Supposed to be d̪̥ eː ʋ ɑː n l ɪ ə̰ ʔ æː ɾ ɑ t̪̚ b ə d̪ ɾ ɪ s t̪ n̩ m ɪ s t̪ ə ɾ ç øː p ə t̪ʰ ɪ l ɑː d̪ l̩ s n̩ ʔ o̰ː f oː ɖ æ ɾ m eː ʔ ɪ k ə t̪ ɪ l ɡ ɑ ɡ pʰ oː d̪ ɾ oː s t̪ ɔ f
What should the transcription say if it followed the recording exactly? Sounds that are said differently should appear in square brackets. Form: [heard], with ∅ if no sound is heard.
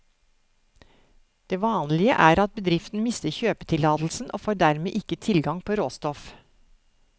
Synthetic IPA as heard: d̪̥ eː ʋ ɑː n l ɪ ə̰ ʔ æː ɾ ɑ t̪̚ b ə d̪ ɾ ɪ [f] t̪ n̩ m ɪ s t̪ ə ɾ ç øː p ə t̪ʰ ɪ l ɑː d̪ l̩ s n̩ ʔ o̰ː f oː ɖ æ ɾ m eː ʔ ɪ k ə [t̪ʰ] ɪ l ɡ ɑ [ŋ] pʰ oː [∅] ɾ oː s t̪ ɔ f

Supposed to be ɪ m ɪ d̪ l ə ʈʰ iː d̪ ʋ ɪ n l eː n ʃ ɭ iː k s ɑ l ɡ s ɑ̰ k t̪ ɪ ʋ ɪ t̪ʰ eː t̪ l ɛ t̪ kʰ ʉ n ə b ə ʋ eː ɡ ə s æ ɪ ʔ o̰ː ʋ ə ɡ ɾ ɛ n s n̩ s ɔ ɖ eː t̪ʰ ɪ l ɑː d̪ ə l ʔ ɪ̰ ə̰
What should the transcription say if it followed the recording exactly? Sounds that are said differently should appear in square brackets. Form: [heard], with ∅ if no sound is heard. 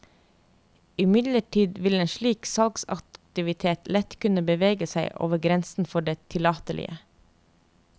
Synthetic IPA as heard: ɪ m ɪ d̪ l ə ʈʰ iː d̪ ʋ ɪ [∅] l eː n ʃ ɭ iː k s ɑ l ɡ s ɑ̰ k t̪ ɪ ʋ ɪ t̪ʰ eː t̪ l ɛ t̪ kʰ ʉ n ə b ə ʋ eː ɡ ə s æ ɪ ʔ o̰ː ʋ ə ɡ ɾ ɛ n s n̩ [f] ɔ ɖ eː t̪ʰ ɪ l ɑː [t̪] ə l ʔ ɪ̰ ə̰

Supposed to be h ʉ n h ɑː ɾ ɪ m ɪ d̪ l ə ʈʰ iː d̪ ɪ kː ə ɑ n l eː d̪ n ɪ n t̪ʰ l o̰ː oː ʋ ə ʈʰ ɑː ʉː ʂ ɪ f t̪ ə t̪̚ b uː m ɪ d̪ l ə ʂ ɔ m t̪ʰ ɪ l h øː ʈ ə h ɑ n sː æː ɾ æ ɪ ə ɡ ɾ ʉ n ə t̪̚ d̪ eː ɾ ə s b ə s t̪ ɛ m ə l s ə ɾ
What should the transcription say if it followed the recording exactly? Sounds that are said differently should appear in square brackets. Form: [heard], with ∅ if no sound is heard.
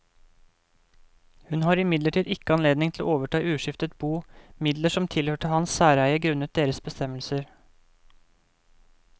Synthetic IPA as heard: h ʉ n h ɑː ɾ ɪ m ɪ d̪ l ə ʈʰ iː d̪ ɪ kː ə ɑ n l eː d̪ n ɪ [ŋ] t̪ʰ l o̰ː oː ʋ ə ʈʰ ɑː ʉː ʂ ɪ f t̪ ə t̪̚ b uː m ɪ d̪ l ə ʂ ɔ m t̪ʰ ɪ l h øː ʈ ə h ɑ n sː æː ɾ æ ɪ ə ɡ ɾ ʉ n ə t̪̚ d̪ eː ɾ ə s b ə s t̪ ɛ m ə l s ə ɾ

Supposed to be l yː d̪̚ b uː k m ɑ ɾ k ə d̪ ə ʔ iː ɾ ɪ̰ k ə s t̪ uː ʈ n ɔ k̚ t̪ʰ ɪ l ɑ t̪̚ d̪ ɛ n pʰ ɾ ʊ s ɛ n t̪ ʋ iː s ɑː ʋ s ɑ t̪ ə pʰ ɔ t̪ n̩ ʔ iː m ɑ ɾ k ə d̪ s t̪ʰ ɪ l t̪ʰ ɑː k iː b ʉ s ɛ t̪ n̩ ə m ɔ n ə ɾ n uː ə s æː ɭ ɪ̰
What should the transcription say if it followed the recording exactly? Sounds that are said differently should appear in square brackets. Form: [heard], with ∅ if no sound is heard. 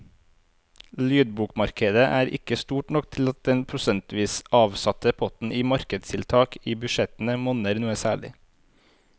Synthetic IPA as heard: l yː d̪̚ b uː k m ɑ ɾ k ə d̪ ə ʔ [æː] ɾ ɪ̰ k ə s t̪ uː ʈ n ɔ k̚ t̪ʰ ɪ l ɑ t̪̚ d̪ ɛ n pʰ ɾ ʊ s ɛ n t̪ ʋ iː s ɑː ʋ s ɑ t̪ ə pʰ ɔ t̪ n̩ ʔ iː m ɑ ɾ k ə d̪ s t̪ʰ ɪ l t̪ʰ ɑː k iː b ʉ [ʃ] ɛ t̪ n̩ ə m ɔ n ə ɾ n uː ə s æː ɭ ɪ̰

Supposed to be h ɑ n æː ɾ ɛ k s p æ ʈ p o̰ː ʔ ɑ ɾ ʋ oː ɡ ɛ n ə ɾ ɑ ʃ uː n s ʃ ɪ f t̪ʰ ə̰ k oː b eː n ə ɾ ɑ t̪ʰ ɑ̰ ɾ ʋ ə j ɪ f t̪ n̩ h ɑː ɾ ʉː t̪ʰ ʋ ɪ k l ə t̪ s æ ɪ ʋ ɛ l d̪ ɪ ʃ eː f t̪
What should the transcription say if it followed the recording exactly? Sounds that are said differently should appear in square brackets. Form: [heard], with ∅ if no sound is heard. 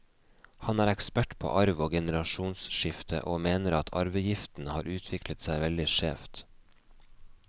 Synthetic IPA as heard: h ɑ n æː ɾ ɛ k s p æ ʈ [pʰ] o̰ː ʔ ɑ ɾ ʋ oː ɡ ɛ n ə ɾ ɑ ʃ uː n s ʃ ɪ f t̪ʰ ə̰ [ʔ] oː [m] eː n ə ɾ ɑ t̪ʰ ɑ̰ ɾ ʋ ə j ɪ f t̪ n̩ h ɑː ɾ ʉː t̪ʰ ʋ ɪ k l ə t̪ s æ ɪ ʋ ɛ l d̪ ɪ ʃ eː f t̪

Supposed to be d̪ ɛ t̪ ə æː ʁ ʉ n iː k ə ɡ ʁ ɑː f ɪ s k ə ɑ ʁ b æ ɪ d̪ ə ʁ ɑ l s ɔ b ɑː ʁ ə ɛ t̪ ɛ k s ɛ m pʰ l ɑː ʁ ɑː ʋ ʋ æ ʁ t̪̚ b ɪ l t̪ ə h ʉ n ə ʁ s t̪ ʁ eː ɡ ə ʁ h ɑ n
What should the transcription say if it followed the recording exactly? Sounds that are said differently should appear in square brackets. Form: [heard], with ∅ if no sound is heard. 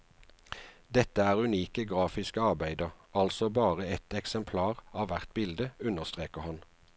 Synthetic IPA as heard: d̪ ɛ t̪ ə æː ʁ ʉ n iː k ə ɡ ʁ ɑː f ɪ s k ə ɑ ʁ b æ ɪ d̪ ə ʁ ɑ l s ɔ b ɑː ʁ ə ɛ t̪ ɛ k s ɛ m pʰ l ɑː ʁ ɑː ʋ ʋ æ ʁ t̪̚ b ɪ l [d̪] ə [∅] ʉ n ə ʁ s t̪ ʁ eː [k] ə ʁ h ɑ n

